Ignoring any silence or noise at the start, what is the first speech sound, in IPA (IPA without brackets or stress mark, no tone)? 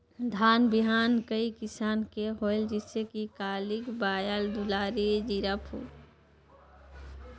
d̪ʱ